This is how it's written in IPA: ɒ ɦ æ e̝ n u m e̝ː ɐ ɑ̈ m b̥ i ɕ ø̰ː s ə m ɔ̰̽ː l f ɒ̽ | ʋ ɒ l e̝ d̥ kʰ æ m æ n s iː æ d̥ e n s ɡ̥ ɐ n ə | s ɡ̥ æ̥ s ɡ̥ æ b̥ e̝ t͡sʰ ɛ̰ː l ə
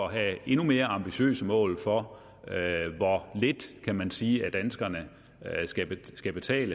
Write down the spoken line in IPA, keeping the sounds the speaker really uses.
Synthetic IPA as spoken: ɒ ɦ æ e̝ n u m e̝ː ɐ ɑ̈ m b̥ i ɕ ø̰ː s ə m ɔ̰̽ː l f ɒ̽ | ʋ ɒ l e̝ d̥ kʰ æ m æ n s iː æ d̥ æ n s ɡ̥ ɐ n ə | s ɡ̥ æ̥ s ɡ̥ æ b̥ e̝ t͡sʰ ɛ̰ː l ə